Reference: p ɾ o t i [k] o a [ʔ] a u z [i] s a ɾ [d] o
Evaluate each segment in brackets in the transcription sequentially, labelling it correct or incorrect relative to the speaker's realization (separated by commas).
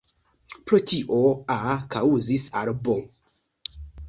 incorrect, incorrect, correct, incorrect